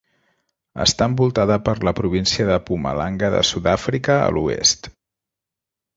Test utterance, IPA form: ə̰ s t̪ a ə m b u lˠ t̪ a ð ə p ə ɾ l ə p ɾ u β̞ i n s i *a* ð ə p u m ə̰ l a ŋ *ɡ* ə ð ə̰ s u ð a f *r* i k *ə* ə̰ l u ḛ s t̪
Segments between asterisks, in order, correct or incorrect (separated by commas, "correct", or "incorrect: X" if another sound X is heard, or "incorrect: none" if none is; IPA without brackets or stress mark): incorrect: ə, correct, incorrect: ɾ, correct